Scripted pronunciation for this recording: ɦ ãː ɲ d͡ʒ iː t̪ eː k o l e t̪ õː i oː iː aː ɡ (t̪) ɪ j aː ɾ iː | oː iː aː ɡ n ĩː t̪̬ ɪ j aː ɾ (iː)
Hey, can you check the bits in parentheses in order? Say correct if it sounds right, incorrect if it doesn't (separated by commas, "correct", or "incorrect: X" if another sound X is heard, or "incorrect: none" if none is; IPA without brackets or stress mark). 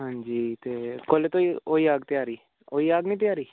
correct, correct